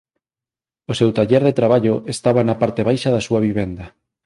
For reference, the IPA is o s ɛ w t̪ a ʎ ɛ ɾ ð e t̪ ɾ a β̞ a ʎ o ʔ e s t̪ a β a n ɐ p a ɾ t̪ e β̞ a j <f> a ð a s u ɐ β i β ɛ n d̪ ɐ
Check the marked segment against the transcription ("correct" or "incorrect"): incorrect